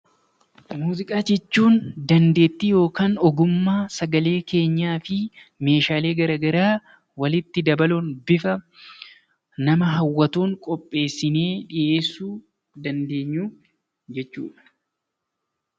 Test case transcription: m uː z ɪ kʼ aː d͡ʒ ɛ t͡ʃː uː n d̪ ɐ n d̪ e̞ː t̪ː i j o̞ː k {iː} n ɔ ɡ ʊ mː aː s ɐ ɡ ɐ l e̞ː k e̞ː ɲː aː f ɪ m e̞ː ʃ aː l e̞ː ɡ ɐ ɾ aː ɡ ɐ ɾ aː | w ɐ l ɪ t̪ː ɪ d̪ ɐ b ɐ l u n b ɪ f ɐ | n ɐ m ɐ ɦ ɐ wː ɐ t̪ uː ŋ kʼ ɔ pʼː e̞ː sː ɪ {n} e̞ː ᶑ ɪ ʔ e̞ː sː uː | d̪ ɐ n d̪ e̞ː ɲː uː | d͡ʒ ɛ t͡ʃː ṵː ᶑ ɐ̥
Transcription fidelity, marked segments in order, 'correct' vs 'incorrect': incorrect: aː, correct

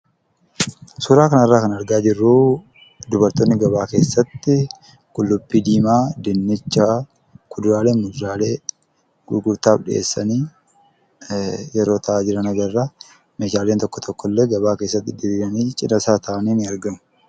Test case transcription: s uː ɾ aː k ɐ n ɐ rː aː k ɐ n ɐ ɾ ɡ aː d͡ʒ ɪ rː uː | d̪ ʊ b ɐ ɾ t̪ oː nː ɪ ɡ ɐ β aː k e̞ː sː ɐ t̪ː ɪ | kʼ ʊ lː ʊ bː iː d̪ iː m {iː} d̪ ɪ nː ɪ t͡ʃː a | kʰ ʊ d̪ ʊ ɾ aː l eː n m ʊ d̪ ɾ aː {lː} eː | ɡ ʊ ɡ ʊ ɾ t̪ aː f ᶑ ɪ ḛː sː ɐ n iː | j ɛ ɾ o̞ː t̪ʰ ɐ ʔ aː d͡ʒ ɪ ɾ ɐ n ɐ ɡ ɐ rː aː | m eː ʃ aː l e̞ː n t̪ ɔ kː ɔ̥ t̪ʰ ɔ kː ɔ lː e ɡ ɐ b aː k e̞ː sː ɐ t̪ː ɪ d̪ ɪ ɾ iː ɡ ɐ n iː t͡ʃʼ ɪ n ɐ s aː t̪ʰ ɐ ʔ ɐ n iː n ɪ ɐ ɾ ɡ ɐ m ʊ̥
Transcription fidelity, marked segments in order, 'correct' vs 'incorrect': incorrect: aː, incorrect: l

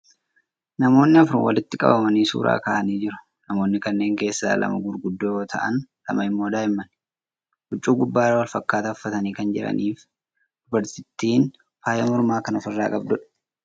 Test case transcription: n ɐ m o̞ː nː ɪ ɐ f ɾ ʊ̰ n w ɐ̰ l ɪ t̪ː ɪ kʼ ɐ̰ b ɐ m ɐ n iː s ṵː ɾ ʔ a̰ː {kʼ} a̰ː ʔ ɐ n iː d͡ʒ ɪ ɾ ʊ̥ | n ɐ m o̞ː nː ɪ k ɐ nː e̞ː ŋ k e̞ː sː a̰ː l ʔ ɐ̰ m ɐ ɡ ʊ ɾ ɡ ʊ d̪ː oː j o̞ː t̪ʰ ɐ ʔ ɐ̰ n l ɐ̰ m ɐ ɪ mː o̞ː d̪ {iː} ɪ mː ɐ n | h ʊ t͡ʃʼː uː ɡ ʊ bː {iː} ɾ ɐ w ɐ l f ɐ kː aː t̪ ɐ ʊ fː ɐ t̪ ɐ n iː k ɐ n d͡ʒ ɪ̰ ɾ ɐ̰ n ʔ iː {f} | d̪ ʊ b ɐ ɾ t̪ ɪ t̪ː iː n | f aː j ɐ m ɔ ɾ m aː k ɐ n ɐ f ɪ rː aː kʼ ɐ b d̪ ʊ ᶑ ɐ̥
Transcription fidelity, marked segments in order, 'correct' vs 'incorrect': incorrect: k, incorrect: aː, incorrect: aː, correct

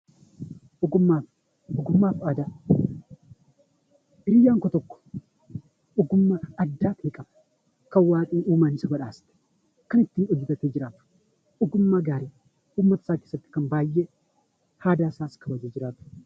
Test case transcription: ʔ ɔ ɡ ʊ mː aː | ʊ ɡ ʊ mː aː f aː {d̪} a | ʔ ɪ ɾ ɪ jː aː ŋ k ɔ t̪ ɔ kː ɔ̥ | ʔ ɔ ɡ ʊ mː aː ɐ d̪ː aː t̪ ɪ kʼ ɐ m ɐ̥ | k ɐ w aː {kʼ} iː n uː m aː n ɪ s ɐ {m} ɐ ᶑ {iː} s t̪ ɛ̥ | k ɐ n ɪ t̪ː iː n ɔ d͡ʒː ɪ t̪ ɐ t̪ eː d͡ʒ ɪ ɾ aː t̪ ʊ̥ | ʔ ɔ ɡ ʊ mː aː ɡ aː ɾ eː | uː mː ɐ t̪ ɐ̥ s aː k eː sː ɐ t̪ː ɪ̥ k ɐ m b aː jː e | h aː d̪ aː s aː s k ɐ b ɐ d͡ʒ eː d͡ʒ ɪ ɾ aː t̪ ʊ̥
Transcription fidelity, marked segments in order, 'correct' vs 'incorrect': correct, correct, incorrect: b, incorrect: aː

